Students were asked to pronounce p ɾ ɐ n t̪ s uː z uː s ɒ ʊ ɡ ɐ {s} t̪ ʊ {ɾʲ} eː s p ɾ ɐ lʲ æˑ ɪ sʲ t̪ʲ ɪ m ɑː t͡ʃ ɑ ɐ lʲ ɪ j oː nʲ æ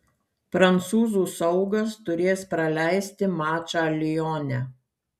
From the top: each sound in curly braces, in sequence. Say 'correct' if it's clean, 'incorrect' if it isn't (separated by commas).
correct, correct